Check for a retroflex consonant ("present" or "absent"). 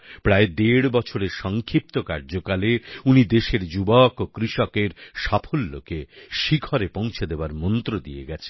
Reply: present